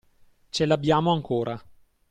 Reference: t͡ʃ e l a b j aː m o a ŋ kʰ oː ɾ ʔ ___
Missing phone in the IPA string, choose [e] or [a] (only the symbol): a